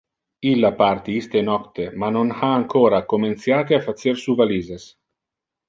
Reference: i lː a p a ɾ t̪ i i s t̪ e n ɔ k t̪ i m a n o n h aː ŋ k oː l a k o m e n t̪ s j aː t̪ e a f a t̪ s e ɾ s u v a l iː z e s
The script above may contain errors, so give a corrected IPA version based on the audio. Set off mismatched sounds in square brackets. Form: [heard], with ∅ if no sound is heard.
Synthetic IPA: i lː a p a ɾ t̪ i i s t̪ e n ɔ k t̪ [e] m a n o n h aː ŋ k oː [ɾ] a k o m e n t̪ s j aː t̪ e a f a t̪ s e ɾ s u v a l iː z e s